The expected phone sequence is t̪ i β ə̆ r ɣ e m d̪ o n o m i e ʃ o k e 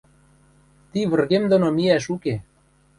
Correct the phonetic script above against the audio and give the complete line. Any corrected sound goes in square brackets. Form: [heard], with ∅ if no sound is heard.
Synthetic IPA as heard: t̪ i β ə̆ r ɣ e m d̪ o n o m i [æ] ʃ [u] k e